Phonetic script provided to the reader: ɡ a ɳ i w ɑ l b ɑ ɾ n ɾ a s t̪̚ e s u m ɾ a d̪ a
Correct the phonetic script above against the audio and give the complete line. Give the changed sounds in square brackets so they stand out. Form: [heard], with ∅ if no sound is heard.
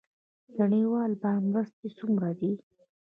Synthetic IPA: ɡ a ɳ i w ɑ l b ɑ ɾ [m] ɾ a s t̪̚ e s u m ɾ a d̪ [i]